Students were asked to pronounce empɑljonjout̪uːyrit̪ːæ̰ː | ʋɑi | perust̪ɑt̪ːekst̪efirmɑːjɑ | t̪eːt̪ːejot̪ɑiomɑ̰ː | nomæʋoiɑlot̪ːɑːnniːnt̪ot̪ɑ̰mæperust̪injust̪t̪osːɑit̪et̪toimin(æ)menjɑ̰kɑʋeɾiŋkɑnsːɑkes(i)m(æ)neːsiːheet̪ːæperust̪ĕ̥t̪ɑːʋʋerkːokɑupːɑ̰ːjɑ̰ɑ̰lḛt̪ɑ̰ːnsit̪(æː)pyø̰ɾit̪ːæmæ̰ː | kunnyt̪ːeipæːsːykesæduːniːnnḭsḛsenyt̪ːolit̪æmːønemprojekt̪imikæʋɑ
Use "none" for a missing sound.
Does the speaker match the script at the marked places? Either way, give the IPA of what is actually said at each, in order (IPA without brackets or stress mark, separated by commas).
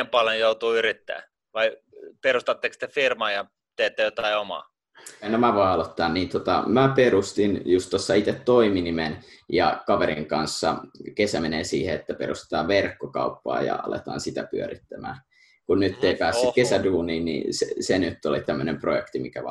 i, æ, e, æ